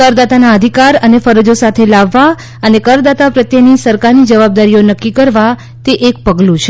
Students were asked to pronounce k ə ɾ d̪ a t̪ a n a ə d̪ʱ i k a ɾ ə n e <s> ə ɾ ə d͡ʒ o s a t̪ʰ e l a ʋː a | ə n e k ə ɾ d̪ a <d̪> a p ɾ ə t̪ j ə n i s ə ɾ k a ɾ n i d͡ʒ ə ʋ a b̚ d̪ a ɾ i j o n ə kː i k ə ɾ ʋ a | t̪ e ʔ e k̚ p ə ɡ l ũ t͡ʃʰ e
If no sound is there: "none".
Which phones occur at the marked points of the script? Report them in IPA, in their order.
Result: f, t̪

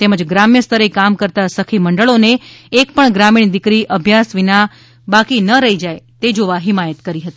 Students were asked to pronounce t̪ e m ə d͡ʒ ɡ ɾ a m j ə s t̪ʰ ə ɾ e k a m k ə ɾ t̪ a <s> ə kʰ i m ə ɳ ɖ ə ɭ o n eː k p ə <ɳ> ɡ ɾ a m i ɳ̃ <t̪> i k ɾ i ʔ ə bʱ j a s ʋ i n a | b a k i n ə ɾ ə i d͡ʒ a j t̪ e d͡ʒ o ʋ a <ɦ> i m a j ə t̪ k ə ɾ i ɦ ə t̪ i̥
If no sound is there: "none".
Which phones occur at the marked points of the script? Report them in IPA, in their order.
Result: s, ɳ, d̪, ɦ

